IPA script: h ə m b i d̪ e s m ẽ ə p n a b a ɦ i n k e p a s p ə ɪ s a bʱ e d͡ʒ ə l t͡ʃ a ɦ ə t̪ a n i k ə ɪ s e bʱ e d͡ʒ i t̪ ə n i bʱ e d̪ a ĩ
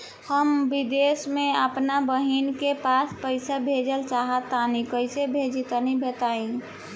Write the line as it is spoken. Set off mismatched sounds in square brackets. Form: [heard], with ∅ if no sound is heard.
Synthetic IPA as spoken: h ə m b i d̪ e s m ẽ ə p n a b [ə] ɦ i n k e p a s p ə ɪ s a bʱ e d͡ʒ ə l t͡ʃ a ɦ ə t̪ a n i k ə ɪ s e bʱ e d͡ʒ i t̪ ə n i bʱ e [t̪] a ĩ